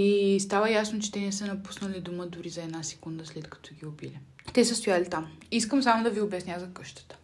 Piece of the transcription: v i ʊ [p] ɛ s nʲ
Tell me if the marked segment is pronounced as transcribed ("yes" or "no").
no